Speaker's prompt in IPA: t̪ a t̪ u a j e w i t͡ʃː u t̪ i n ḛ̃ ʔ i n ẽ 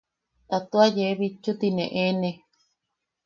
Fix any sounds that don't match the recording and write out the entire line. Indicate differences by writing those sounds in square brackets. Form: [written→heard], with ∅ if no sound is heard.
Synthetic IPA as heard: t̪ a t̪ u a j e [w→β] i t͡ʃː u t̪ i n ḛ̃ ʔ [i→e] n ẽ